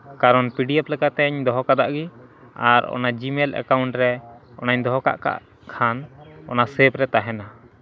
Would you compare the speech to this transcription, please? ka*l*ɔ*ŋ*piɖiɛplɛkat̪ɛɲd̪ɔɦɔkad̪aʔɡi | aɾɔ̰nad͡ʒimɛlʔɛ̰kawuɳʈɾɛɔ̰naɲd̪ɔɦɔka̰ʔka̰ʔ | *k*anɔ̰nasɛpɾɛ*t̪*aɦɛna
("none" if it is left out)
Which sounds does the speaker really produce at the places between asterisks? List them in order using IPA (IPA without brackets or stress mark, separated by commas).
ɾ, n, kʰ, t̪